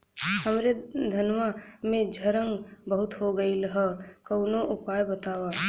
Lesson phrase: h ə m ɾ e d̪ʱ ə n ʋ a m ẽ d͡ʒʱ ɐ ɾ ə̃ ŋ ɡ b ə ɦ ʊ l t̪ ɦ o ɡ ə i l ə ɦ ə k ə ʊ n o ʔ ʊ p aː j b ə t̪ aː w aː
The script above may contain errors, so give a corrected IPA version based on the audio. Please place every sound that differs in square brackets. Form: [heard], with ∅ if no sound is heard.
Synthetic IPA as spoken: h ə m ɾ e d̪ʱ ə n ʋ a m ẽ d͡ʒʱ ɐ ɾ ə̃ ŋ ɡ b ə ɦ ʊ [∅] t̪ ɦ o ɡ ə i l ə ɦ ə k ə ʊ n o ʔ ʊ p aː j b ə t̪ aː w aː